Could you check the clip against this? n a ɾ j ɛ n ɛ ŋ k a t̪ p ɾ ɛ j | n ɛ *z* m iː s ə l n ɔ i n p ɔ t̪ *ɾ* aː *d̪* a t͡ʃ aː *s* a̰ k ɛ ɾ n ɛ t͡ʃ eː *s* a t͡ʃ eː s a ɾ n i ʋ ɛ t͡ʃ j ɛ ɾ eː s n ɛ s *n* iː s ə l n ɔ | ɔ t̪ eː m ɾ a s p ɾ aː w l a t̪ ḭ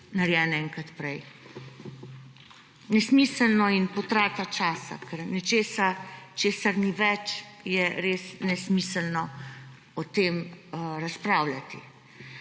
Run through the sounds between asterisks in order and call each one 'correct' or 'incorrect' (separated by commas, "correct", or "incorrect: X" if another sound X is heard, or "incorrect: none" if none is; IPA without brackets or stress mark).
incorrect: s, correct, incorrect: t̪, correct, correct, incorrect: m